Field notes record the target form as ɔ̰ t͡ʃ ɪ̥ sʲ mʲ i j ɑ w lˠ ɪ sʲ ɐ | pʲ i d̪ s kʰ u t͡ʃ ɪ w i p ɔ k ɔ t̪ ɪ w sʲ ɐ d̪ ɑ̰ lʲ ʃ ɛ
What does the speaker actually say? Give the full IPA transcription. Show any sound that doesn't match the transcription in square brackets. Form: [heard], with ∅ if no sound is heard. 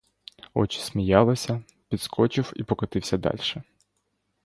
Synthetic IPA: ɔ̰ t͡ʃ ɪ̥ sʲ mʲ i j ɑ [∅] lˠ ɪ sʲ ɐ | pʲ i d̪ s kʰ [ɔ] t͡ʃ ɪ w i p ɔ k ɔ t̪ ɪ w sʲ ɐ d̪ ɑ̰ lʲ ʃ ɛ